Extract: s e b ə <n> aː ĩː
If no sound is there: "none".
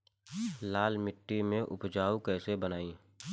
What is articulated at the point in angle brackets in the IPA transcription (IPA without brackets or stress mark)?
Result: n